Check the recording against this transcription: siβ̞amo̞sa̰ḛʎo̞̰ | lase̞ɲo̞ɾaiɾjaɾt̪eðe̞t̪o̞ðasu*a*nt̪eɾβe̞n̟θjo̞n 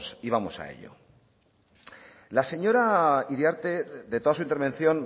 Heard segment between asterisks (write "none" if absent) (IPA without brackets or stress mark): i